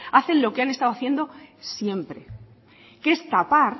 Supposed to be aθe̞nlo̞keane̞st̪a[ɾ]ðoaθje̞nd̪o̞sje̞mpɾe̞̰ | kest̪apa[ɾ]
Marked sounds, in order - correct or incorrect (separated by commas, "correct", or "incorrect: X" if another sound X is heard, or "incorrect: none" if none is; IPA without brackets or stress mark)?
incorrect: none, correct